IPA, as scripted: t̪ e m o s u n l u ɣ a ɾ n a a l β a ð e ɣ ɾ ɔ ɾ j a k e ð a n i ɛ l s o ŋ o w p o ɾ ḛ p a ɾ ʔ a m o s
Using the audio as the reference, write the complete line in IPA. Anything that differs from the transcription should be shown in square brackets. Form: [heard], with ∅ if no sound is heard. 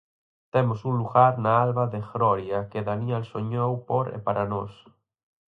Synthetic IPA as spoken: t̪ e m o s u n l u ɣ a ɾ n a a l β a ð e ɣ ɾ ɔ ɾ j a k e ð a n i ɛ l s o [ɲ] o w p o ɾ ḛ p a ɾ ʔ a [n] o s